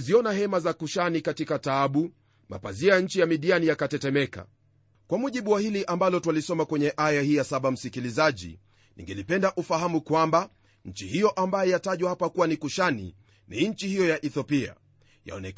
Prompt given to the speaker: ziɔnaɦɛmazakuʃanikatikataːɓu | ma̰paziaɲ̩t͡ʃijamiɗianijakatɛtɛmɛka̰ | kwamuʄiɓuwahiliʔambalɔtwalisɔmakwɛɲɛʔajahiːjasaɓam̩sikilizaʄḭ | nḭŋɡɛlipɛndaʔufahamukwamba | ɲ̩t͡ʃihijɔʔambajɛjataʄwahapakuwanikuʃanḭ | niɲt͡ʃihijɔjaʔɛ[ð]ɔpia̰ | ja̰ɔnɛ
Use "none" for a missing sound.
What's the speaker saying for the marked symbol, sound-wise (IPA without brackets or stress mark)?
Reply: θ